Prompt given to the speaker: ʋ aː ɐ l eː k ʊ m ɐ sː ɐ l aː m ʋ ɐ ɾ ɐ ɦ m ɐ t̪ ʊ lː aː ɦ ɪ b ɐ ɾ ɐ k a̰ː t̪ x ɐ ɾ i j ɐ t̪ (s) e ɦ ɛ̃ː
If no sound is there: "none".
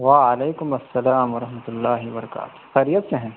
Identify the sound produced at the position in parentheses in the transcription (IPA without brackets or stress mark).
s